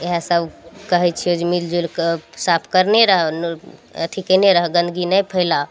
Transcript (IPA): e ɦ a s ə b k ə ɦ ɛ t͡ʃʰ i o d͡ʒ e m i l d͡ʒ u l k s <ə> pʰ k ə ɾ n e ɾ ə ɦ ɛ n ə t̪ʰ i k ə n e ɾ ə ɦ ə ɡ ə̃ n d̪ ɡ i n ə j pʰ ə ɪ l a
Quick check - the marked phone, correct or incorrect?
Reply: incorrect: a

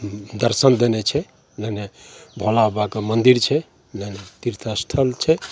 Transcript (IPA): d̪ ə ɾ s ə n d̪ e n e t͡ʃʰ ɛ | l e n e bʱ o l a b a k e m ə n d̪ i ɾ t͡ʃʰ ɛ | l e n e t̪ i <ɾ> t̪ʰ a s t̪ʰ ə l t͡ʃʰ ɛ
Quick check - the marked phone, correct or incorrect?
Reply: correct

